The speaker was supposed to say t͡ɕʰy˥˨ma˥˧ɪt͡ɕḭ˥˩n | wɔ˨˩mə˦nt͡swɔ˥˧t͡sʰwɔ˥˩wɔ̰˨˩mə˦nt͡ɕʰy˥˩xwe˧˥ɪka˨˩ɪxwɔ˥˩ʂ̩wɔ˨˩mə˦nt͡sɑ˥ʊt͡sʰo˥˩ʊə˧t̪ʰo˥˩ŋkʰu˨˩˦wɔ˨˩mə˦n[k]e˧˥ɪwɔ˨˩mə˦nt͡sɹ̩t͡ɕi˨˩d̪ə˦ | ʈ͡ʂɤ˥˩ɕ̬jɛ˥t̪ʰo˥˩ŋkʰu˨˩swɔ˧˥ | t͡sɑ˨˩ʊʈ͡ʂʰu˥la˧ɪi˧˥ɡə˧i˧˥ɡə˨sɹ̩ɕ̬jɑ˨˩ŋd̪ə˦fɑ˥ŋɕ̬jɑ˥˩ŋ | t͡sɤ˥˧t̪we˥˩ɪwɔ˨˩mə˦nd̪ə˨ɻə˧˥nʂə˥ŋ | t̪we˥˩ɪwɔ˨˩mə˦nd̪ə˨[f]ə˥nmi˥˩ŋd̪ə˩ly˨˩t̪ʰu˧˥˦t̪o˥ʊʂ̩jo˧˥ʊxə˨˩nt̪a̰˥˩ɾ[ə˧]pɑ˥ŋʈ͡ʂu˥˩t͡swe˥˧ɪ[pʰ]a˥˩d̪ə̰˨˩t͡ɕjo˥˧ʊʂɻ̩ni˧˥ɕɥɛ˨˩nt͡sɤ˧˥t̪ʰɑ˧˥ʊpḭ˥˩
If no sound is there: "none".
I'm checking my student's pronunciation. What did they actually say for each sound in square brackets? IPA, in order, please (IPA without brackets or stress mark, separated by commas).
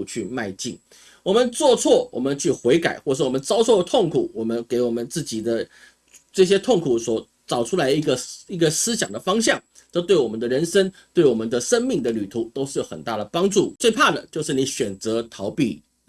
k, ʂ, ə˩, pʰ